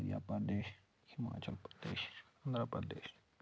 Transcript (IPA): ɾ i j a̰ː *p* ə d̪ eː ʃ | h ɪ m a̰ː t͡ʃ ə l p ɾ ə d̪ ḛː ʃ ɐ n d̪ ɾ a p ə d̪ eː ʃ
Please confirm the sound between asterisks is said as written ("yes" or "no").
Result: yes